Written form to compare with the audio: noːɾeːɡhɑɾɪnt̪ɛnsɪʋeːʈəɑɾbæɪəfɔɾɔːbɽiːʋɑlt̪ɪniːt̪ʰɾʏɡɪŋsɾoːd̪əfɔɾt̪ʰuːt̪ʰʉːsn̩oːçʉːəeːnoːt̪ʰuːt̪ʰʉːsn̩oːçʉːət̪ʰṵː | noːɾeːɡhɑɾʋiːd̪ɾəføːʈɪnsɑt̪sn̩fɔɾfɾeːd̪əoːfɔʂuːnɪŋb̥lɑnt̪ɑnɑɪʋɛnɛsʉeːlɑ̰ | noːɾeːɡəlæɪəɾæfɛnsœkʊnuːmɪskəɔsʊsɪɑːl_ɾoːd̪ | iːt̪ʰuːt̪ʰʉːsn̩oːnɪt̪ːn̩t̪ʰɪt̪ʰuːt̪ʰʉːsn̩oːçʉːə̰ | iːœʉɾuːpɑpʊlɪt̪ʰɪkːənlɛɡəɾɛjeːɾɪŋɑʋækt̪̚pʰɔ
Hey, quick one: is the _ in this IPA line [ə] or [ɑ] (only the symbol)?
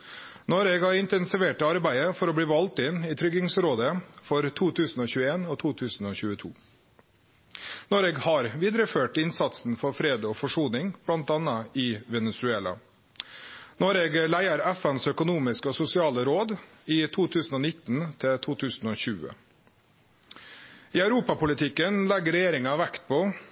ə